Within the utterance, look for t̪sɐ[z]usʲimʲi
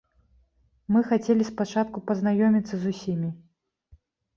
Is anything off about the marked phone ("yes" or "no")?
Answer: no